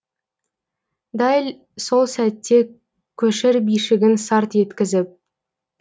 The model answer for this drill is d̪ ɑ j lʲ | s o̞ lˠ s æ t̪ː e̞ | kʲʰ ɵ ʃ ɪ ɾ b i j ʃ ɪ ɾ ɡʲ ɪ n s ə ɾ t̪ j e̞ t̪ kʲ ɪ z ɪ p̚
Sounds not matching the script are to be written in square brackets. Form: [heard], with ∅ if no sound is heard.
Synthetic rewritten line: d̪ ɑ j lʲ | s o̞ lˠ s æ t̪ː e̞ | kʲʰ ɵ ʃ ɪ ɾ b i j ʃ ɪ [∅] ɡʲ ɪ n s [ɑ] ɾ t̪ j e̞ t̪ kʲ ɪ z ɪ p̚